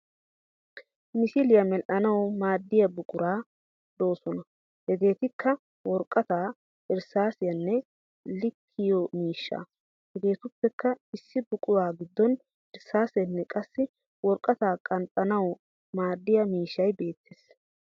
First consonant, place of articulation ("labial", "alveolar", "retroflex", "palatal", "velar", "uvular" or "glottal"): labial